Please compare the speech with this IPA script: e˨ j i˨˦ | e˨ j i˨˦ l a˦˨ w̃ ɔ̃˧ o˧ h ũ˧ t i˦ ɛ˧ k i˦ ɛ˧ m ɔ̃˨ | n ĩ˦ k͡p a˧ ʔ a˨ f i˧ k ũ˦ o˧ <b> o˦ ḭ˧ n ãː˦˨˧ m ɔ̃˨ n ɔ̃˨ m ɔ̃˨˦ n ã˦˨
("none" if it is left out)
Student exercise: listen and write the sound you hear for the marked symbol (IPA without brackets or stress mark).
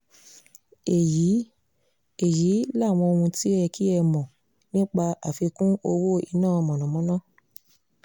w